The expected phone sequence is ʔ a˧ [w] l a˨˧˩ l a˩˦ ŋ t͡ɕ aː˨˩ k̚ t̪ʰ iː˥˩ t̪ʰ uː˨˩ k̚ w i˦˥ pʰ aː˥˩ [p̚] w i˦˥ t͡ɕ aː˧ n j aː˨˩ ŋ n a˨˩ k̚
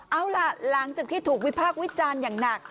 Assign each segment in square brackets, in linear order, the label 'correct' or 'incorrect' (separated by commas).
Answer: correct, incorrect